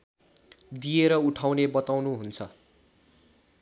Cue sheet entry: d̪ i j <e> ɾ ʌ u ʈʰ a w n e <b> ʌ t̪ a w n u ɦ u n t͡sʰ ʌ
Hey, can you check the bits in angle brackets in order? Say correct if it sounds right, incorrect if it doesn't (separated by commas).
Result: correct, correct